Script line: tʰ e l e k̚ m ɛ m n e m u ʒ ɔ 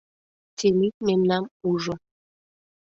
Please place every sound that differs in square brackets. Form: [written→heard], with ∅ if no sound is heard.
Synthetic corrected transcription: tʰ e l [e→i] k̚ m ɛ m n [e→a] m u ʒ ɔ